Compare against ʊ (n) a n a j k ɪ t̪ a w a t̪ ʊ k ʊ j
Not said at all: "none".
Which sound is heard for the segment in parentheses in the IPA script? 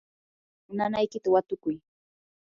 n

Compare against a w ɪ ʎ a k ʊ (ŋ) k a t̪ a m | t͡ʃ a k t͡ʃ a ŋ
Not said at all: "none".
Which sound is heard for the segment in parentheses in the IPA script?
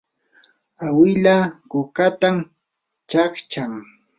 none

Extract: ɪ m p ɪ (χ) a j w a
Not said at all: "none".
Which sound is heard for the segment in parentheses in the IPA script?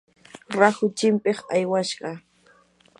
χ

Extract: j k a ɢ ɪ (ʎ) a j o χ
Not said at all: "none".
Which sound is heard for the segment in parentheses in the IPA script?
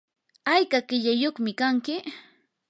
ʎ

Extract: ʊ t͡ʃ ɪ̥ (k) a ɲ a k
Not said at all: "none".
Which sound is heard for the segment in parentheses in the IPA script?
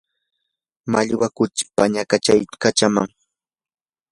p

